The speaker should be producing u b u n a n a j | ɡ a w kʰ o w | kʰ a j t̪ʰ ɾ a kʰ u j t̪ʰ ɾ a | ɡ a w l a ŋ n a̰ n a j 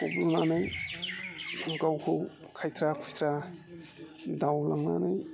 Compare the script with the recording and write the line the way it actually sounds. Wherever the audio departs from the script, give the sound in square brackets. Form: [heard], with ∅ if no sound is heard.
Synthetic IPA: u b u n a n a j | ɡ a w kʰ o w | kʰ a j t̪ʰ ɾ a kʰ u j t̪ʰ ɾ a | [d] a w l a ŋ n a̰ n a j

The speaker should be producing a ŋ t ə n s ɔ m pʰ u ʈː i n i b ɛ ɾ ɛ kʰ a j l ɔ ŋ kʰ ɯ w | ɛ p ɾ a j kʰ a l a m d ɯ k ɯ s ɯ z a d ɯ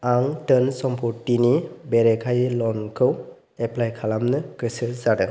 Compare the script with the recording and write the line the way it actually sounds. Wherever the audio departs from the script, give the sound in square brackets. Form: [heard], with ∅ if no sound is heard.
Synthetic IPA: a ŋ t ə n s ɔ m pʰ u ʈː i n i b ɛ ɾ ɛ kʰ a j l ɔ [n] kʰ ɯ w | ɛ p [l] a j kʰ a l a m [n] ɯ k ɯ s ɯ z a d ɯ

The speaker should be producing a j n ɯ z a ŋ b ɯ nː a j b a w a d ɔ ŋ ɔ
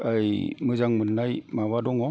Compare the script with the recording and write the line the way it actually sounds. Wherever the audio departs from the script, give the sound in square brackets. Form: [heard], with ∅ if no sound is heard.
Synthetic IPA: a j [m] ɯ z a ŋ [m] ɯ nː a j [m] a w a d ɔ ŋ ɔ

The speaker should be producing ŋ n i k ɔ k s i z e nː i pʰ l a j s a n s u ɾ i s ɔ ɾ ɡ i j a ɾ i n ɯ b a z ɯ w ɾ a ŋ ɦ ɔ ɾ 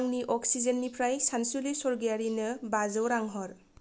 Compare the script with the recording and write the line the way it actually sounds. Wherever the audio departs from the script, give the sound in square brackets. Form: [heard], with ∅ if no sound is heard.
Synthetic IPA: ŋ n i [ʔ] ɔ k s i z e nː i pʰ [ɾ] a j s a n s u [l] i s ɔ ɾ ɡ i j a ɾ i n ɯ b a z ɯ w ɾ a ŋ ɦ ɔ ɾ

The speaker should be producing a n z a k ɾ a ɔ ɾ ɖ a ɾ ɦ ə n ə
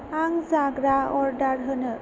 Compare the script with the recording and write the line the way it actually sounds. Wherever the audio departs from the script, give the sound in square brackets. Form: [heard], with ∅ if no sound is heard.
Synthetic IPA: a [ŋ] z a [ɡ] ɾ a ɔ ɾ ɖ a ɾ ɦ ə n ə

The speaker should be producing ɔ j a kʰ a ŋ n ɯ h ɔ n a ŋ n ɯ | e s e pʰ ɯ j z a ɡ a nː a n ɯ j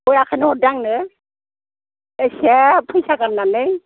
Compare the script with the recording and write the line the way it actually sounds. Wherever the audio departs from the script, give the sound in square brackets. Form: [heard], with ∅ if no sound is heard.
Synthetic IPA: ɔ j a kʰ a [∅] n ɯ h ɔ [d] a ŋ n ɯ | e s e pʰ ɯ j [s] a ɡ a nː a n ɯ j

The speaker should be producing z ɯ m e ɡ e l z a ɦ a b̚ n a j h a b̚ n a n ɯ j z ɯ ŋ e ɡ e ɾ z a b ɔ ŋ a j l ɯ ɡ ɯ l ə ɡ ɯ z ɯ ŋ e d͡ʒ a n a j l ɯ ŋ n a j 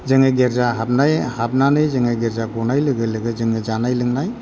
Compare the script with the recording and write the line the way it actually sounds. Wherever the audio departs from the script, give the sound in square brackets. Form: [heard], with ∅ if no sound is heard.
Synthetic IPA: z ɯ [ŋ] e ɡ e [ɾ] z a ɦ a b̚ n a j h a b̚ n a n ɯ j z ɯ ŋ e ɡ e ɾ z a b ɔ [n] a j l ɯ ɡ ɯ l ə ɡ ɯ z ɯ ŋ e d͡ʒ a n a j l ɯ ŋ n a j

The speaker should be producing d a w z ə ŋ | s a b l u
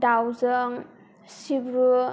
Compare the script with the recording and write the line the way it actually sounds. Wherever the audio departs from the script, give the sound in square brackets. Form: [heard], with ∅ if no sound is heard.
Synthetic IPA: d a w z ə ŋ | s [i] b [ɾ] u

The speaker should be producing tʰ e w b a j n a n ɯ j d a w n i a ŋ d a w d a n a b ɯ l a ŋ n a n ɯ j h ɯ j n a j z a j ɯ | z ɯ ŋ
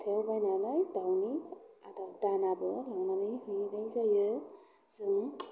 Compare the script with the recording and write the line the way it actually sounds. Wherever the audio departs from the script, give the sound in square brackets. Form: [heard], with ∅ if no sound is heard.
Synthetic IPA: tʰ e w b a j n a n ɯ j d a w n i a [∅] d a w d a n a b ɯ l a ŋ n a n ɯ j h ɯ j n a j z a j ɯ | z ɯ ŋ

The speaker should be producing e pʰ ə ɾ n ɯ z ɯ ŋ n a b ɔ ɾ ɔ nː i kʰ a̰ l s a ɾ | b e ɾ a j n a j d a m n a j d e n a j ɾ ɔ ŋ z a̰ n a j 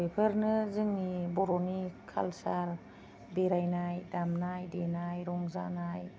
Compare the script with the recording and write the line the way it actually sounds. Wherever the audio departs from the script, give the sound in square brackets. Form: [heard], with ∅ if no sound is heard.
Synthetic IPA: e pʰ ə ɾ n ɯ z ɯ ŋ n [i] b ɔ ɾ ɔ [n] i kʰ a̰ l s a ɾ | b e ɾ a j n a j d a m n a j d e n a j ɾ ɔ ŋ z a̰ n a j

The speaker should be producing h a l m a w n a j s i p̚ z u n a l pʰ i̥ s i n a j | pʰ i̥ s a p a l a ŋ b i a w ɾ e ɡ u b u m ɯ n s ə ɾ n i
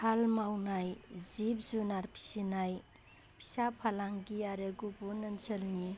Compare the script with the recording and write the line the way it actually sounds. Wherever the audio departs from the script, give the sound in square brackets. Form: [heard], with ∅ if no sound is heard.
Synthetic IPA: h a l m a w n a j [z] i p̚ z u n a [ɾ] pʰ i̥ s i n a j | pʰ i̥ s a [pʰ] a l a ŋ [ɡ] i a [∅] ɾ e ɡ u b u [n] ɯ n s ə [l] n i

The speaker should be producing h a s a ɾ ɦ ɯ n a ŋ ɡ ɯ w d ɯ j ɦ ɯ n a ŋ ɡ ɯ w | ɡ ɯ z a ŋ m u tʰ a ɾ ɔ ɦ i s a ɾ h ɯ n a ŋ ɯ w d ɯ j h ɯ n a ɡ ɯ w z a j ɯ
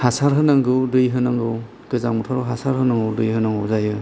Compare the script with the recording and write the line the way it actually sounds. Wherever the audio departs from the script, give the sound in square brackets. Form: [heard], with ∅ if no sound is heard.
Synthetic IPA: h a s a ɾ ɦ ɯ n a ŋ ɡ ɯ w d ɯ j ɦ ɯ n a ŋ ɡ ɯ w | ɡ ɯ z a ŋ m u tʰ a ɾ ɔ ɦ [a] s a ɾ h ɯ n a ŋ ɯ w d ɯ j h ɯ n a [ŋ] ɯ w z a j ɯ

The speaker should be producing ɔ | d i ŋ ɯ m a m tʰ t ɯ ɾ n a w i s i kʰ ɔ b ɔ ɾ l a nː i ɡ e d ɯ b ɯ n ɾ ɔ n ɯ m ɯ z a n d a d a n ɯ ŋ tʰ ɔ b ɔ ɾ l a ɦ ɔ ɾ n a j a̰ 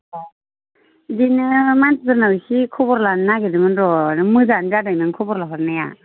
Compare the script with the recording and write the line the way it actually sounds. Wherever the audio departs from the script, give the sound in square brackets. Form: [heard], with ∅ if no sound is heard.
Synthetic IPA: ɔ | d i [n] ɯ m a [n] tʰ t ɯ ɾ n a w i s i kʰ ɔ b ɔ ɾ l a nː [a] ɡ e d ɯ [m] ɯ n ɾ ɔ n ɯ m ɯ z a n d a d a n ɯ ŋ [kʰ] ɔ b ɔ ɾ l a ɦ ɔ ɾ n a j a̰

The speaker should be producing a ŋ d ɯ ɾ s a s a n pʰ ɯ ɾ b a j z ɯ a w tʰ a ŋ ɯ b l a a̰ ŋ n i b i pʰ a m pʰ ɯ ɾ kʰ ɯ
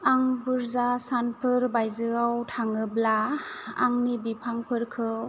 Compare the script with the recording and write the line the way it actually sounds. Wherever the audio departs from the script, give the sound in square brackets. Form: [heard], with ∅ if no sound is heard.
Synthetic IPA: a ŋ [b] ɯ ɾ [z] a s a n pʰ ɯ ɾ b a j z ɯ a w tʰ a ŋ ɯ b l a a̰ ŋ n i b i pʰ a [ŋ] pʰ ɯ ɾ kʰ ɯ

